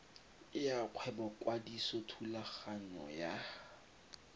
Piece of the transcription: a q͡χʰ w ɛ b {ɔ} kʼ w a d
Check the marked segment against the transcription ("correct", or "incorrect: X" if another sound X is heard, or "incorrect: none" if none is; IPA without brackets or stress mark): correct